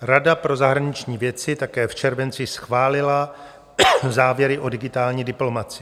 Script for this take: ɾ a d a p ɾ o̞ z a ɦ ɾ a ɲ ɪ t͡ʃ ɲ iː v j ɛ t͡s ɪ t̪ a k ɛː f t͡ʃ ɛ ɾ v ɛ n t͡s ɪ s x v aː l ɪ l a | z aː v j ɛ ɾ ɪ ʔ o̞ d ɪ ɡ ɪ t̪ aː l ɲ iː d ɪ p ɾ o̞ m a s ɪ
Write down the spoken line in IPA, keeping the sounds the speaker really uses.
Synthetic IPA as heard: ɾ a d a p ɾ o̞ z a ɦ ɾ a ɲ ɪ t͡ʃ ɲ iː v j ɛ t͡s ɪ t̪ a k ɛː f t͡ʃ ɛ ɾ v ɛ n t͡s ɪ s x v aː l ɪ l a | z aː v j ɛ ɾ ɪ ʔ o̞ d ɪ ɡ ɪ t̪ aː l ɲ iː d ɪ p l o̞ m a t͡s ɪ